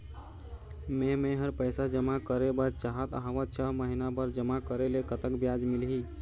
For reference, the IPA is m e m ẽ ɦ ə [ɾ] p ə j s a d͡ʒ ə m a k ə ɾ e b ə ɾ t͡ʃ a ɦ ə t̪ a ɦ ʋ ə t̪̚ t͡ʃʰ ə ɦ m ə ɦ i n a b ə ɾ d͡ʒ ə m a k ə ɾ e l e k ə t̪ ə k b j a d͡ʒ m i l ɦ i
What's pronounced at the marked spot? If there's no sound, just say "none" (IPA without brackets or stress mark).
ɾ